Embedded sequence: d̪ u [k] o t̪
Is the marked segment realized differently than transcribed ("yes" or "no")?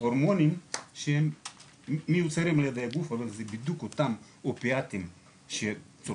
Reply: no